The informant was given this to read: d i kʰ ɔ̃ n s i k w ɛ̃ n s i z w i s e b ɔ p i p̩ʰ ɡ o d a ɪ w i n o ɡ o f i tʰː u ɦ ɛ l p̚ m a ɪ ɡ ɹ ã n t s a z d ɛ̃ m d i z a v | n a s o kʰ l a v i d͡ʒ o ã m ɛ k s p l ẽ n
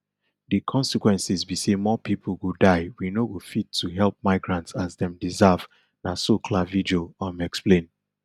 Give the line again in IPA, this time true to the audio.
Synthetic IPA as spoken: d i kʰ ɔ̃ n s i k w ɛ̃ n s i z b i s e m ɔ p i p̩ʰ ɡ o d a ɪ w i n o ɡ o f i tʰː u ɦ ɛ l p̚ m a ɪ ɡ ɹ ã n t s a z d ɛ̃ m d i z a v | n a s o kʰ l a v i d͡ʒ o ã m ɛ k s p l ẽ n